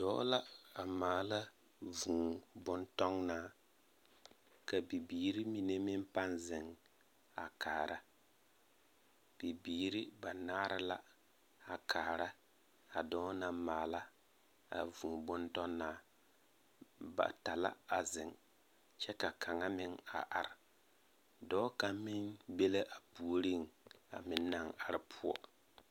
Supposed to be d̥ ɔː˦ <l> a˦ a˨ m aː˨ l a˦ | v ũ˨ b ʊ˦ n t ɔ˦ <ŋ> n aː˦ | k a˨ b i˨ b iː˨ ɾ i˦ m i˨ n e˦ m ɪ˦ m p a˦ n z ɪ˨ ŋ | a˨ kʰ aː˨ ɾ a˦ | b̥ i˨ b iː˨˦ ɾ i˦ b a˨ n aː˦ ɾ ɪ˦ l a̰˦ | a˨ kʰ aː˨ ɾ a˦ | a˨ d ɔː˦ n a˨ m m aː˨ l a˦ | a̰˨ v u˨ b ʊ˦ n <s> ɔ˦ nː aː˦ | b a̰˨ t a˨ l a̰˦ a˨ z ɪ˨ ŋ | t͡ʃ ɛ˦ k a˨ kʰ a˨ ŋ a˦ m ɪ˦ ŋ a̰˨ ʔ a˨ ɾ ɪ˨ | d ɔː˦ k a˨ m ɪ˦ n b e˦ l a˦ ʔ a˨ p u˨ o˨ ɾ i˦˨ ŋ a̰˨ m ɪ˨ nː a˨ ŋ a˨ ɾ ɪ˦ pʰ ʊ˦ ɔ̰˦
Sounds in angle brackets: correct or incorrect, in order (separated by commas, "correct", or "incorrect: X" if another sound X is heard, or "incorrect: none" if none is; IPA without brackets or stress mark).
correct, correct, incorrect: t